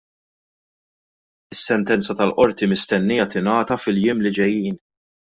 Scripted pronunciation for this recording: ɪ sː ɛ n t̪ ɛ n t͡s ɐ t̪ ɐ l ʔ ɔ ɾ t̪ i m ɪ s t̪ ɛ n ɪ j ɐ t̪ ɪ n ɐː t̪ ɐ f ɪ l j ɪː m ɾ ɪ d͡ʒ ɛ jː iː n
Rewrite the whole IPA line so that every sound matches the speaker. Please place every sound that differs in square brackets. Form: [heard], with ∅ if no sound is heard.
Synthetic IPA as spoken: ɪ sː ɛ n t̪ ɛ n t͡s ɐ t̪ ɐ l ʔ ɔ ɾ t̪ i m ɪ s t̪ ɛ [nː] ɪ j ɐ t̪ ɪ n ɐː t̪ ɐ f ɪ l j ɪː m [l] ɪ d͡ʒ ɛ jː iː n